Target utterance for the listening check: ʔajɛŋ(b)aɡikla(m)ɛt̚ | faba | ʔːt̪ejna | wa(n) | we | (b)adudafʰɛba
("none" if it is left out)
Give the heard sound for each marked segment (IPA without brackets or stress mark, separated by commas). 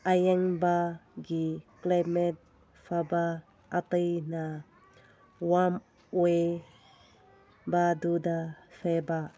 b, m, m, b